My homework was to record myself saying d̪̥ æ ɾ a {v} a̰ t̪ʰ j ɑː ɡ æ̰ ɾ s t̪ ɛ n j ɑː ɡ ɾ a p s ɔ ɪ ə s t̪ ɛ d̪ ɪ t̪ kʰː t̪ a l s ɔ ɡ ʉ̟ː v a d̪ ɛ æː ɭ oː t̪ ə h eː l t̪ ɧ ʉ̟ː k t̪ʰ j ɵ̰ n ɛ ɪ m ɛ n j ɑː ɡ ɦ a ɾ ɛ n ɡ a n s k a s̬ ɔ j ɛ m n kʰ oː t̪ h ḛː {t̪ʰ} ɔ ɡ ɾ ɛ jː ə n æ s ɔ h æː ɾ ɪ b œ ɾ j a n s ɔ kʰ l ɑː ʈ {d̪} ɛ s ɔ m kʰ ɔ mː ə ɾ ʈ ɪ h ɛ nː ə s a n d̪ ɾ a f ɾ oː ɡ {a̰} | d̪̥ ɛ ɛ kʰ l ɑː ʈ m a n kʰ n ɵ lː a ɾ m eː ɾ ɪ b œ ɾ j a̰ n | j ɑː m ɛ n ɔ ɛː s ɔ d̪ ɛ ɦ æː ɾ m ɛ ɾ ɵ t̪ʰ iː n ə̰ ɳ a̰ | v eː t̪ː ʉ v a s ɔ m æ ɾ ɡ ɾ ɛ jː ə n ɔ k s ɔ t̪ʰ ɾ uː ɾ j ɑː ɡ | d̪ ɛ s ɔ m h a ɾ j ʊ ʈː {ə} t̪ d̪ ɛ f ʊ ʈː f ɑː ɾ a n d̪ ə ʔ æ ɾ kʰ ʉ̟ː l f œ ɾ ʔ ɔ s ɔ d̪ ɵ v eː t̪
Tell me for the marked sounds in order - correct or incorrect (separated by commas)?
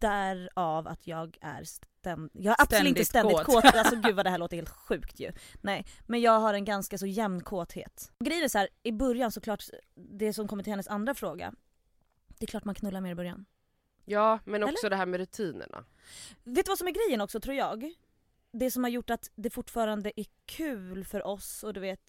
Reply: correct, incorrect, correct, correct, incorrect